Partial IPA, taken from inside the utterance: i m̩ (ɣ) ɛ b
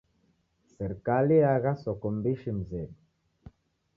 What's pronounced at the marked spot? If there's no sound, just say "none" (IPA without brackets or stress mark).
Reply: z